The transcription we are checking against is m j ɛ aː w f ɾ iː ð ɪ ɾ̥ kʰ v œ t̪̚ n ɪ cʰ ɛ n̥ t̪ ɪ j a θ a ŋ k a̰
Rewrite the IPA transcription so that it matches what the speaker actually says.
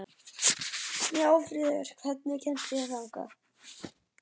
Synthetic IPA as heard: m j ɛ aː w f ɾ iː ð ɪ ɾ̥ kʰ v ɛ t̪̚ n ɪ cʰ ɛ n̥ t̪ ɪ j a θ a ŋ k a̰